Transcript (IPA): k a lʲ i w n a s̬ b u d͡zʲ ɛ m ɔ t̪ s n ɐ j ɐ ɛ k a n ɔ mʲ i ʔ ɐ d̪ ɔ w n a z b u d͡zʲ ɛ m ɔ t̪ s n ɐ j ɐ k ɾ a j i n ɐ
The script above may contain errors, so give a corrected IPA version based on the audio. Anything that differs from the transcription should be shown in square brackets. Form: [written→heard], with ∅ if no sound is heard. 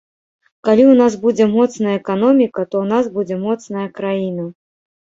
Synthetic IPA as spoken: k a lʲ i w n a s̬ b u d͡zʲ ɛ m ɔ t̪ s n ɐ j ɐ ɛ k a n ɔ mʲ i [ʔ→k] ɐ [d̪→t̪] ɔ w n a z b u d͡zʲ ɛ m ɔ t̪ s n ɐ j ɐ k ɾ a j i n ɐ